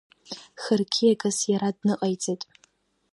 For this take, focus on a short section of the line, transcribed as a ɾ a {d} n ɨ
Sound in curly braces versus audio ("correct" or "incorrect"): correct